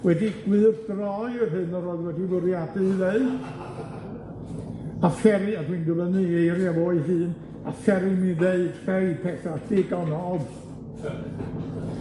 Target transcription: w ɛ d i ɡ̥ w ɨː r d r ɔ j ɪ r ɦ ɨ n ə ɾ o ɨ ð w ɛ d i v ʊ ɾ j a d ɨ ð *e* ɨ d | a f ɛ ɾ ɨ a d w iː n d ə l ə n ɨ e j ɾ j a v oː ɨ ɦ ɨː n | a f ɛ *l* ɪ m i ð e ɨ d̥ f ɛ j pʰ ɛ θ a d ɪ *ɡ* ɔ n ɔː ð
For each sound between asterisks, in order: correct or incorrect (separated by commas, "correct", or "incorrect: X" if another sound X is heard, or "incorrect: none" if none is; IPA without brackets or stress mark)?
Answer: correct, incorrect: ɾ, correct